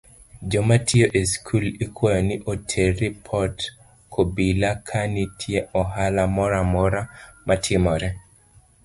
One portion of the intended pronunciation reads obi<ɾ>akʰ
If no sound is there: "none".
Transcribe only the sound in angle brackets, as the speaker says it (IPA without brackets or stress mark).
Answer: l